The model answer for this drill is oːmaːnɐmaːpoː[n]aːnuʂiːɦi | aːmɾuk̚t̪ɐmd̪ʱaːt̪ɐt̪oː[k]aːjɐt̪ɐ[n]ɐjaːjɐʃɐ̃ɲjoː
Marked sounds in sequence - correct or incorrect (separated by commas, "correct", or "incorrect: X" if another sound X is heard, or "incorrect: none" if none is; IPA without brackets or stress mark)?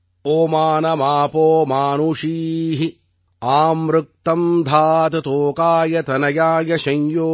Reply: incorrect: m, correct, correct